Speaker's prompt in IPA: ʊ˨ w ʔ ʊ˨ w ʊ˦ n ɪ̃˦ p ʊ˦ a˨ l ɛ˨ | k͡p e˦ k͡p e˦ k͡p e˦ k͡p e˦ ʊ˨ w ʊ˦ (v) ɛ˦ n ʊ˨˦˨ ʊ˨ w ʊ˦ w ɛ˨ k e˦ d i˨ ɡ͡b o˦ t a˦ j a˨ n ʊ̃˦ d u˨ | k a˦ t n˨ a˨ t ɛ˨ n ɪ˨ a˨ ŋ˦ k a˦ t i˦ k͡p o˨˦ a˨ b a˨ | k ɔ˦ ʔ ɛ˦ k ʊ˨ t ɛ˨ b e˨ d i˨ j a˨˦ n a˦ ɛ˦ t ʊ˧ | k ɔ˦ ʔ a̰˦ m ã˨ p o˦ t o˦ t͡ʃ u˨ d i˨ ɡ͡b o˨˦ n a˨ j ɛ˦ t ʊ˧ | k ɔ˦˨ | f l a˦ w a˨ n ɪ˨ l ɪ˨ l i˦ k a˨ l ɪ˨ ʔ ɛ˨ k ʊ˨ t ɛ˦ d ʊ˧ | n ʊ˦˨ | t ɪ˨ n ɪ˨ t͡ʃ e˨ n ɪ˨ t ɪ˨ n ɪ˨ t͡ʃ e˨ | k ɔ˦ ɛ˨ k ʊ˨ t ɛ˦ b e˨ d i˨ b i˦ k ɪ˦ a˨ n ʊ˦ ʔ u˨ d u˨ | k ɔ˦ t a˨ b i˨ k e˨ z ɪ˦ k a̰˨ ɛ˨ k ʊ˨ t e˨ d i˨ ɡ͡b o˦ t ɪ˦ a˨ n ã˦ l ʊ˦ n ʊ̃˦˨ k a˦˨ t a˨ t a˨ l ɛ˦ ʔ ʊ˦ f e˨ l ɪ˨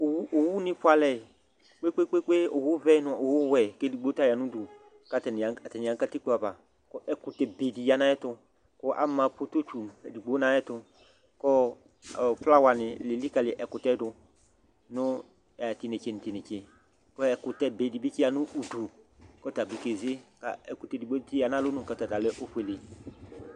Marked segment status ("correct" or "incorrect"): correct